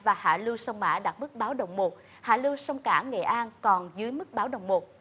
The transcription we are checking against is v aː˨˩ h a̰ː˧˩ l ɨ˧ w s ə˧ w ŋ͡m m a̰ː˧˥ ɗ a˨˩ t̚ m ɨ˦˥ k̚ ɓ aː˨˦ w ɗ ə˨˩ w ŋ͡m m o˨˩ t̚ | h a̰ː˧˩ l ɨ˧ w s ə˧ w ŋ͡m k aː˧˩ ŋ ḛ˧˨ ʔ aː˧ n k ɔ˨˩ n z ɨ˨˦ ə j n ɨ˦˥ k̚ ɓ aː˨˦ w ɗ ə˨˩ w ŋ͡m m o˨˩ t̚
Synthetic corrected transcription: v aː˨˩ h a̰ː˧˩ l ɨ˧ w s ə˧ w ŋ͡m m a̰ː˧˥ ɗ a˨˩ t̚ m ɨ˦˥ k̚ ɓ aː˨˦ w ɗ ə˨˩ w ŋ͡m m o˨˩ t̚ | h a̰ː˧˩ l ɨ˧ w s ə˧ w ŋ͡m k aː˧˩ ŋ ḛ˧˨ ʔ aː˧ n k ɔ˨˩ n z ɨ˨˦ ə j m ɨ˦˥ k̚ ɓ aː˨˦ w ɗ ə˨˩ w ŋ͡m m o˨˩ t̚